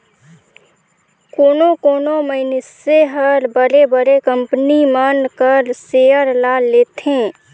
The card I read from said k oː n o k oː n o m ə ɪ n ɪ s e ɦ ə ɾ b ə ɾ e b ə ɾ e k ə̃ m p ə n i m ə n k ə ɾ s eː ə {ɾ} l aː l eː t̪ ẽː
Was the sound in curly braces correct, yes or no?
yes